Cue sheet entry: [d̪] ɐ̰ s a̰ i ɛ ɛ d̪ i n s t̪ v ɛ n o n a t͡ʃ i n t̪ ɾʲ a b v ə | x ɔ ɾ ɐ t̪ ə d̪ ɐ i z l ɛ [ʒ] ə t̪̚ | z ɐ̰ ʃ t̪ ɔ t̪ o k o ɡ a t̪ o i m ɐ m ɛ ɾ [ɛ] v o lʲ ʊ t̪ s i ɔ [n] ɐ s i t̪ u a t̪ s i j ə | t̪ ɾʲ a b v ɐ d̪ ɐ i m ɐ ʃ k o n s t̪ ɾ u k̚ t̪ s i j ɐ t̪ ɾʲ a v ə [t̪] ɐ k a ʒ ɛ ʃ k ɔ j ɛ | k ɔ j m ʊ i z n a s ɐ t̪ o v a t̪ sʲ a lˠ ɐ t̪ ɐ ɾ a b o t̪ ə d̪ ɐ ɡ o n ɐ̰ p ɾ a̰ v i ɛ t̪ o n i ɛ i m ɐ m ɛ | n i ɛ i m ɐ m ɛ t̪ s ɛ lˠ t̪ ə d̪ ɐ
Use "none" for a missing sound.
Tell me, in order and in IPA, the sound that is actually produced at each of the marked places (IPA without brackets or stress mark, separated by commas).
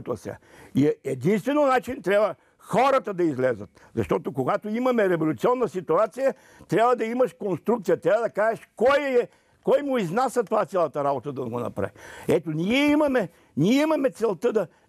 t̪, z, ɛ, nː, d̪